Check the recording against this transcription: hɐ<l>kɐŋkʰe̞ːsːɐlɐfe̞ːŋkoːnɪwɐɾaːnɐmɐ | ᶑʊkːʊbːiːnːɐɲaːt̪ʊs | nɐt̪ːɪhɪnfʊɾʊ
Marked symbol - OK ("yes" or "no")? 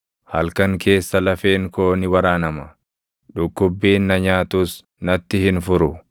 yes